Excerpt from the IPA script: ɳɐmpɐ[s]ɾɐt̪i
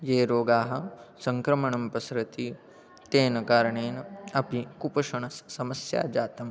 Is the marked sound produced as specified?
yes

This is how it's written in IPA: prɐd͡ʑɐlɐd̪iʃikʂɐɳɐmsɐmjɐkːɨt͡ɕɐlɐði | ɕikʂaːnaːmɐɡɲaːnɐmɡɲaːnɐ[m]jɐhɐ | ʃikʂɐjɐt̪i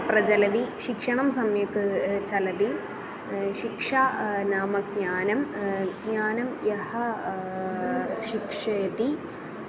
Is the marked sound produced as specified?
yes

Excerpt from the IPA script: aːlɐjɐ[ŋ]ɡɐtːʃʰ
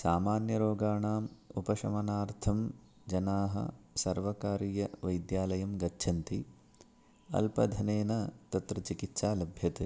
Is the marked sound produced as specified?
no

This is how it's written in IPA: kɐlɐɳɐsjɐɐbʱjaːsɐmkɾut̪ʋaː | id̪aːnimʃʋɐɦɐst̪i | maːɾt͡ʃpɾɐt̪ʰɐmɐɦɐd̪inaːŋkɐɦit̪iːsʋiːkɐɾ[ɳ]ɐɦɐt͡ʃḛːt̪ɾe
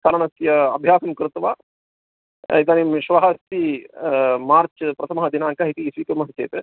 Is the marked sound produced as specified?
no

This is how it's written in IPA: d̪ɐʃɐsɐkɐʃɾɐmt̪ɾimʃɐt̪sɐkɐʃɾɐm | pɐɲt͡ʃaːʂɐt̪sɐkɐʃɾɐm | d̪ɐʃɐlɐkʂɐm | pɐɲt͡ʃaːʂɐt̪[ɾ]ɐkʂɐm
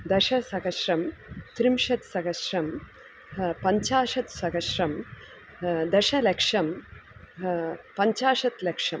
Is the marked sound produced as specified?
no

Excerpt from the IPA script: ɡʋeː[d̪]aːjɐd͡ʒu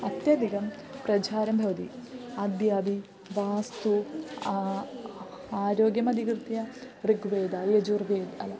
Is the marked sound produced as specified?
yes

